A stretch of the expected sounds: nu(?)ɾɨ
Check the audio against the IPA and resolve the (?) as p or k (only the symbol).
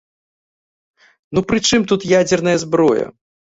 p